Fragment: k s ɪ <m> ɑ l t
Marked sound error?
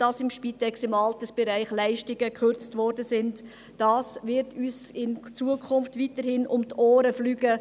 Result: no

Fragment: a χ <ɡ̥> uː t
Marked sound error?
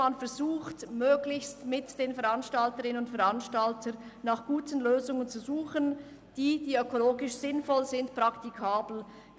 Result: no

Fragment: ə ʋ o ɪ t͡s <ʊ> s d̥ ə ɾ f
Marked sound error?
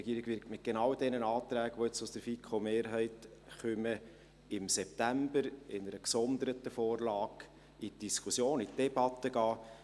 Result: no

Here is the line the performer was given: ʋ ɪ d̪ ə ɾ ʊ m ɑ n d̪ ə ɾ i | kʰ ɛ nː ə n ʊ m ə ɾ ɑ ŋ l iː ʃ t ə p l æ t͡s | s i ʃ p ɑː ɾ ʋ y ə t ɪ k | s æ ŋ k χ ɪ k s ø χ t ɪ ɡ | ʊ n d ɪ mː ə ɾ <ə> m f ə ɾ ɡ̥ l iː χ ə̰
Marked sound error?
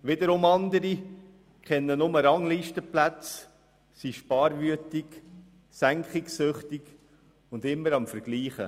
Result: yes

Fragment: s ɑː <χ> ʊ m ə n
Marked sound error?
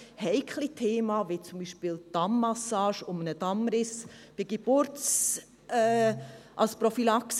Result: yes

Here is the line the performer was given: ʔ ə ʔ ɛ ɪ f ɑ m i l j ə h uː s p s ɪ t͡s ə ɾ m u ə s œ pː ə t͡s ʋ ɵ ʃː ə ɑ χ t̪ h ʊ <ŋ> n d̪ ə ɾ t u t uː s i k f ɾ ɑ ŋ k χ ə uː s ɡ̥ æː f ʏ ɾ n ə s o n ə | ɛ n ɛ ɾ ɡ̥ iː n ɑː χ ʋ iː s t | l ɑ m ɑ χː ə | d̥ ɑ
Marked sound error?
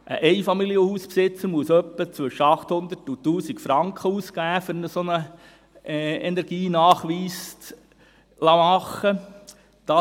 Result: yes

